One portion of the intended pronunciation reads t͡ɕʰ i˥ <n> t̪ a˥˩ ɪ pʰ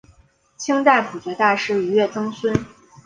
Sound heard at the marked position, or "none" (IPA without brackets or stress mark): ŋ